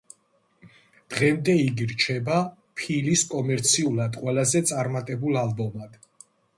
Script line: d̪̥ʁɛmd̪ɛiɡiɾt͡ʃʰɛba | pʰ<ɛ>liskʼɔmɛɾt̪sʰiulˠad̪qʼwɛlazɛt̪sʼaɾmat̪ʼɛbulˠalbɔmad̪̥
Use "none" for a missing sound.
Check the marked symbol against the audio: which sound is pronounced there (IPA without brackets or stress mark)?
i